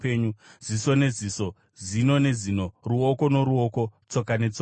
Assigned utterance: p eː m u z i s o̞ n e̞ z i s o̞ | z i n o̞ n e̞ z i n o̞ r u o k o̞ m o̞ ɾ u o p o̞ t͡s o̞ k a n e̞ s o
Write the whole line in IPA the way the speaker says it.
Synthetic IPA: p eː ɲ u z i s o̞ n e̞ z i s o̞ | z i n o̞ n e̞ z i n o̞ r u o k o̞ n o̞ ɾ u o k o̞ t͡s o̞ k a n e̞ t͡s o